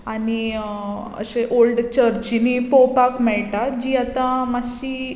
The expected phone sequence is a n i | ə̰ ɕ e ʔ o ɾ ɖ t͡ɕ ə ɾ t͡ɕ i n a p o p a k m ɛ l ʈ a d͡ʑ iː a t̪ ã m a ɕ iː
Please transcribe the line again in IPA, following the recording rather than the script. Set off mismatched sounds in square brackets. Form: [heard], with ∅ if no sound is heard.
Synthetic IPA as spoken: a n i | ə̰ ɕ e ʔ o [l] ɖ t͡ɕ ə ɾ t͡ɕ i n [i] p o p a k m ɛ [ɭ] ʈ a d͡ʑ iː a t̪ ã m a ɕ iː